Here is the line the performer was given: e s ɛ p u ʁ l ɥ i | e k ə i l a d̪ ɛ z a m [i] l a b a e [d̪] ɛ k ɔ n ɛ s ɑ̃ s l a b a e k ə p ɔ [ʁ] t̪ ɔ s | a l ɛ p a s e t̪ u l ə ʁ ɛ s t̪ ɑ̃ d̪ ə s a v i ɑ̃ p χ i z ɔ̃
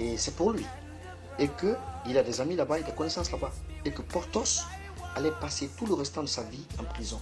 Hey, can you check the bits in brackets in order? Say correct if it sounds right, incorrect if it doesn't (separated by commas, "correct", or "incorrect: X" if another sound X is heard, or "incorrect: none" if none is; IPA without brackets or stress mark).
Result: correct, correct, correct